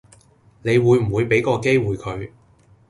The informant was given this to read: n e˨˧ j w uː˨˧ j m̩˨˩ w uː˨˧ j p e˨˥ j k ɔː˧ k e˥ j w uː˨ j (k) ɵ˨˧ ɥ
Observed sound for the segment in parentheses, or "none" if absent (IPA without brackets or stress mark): kʰ